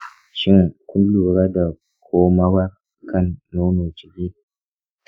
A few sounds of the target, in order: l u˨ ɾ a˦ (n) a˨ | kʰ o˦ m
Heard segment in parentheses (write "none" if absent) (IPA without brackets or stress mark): d